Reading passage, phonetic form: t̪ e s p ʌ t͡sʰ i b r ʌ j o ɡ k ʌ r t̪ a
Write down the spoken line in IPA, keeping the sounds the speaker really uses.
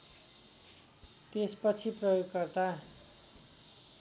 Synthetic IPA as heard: t̪ e s p ʌ t͡sʰ i p r ʌ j o ɡ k ʌ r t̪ a